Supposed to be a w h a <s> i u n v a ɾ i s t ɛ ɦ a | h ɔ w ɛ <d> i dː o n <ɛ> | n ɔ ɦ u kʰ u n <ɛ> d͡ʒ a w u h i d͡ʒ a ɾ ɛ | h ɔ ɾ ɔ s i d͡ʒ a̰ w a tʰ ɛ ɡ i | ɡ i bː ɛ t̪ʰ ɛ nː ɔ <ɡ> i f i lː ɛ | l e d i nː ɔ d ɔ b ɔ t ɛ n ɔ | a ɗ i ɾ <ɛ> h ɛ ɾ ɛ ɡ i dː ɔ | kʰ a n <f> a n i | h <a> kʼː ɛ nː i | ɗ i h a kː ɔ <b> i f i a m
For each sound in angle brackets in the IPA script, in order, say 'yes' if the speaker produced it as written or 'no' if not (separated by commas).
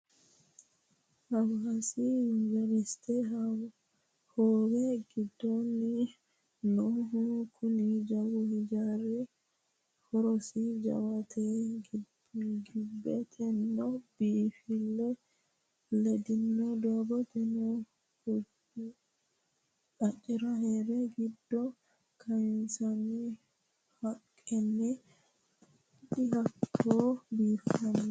yes, no, no, no, no, no, no, yes, yes